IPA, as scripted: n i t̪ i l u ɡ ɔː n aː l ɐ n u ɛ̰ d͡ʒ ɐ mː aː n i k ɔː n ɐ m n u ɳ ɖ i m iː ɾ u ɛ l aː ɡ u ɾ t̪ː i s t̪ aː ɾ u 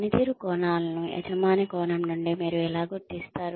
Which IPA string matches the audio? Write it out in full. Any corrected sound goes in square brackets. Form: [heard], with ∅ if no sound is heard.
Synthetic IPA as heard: n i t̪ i [ɾ] u [k] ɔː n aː l ɐ n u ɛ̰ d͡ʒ ɐ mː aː n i k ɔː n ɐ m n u ɳ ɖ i m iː ɾ u ɛ l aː ɡ u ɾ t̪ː i s t̪ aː ɾ u